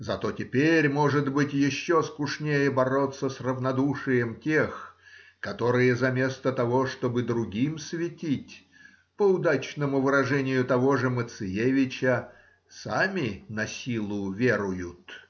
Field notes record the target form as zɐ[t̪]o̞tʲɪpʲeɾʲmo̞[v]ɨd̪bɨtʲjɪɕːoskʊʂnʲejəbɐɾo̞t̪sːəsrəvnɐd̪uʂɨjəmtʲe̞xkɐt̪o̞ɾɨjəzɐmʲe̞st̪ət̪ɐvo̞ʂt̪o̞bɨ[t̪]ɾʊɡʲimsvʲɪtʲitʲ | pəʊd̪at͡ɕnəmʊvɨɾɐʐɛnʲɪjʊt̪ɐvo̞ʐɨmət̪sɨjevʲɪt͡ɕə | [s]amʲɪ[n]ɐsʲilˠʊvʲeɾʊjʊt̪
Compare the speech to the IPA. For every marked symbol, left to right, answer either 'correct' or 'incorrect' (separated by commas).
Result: correct, incorrect, incorrect, correct, correct